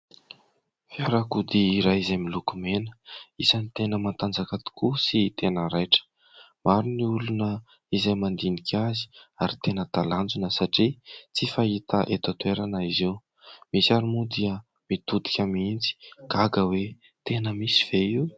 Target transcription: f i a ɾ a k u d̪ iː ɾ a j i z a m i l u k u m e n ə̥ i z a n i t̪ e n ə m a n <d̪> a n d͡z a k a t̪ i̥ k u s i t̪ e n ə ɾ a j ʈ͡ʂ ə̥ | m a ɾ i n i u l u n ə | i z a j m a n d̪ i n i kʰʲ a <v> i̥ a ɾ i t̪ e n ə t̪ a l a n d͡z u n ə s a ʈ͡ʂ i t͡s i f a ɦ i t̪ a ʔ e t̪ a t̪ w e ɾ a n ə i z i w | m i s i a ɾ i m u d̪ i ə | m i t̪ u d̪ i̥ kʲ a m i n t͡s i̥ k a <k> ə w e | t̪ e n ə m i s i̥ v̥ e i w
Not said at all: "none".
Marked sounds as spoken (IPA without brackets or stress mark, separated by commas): t̪, z, ɡ